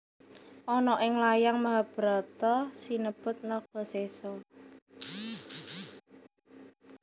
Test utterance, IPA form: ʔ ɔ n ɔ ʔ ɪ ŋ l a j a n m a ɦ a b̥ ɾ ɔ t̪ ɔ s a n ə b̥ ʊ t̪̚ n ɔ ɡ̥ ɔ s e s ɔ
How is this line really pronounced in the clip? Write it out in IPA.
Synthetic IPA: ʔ ɔ n ɔ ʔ ɪ ŋ l a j a ŋ m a ɦ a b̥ ɾ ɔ t̪ ɔ s i n ə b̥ ʊ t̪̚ n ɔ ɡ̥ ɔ s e s ɔ